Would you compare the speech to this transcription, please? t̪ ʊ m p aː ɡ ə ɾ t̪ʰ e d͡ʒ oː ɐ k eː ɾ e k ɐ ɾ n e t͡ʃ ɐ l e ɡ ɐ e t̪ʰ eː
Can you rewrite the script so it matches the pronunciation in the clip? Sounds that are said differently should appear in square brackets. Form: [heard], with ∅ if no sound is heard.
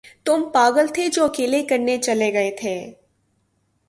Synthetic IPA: t̪ ʊ m p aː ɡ ə [l] t̪ʰ e d͡ʒ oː ɐ k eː [l] e k ɐ ɾ n e t͡ʃ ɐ l e ɡ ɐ e t̪ʰ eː